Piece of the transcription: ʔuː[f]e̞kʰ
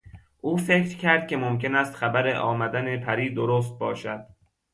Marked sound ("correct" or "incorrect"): correct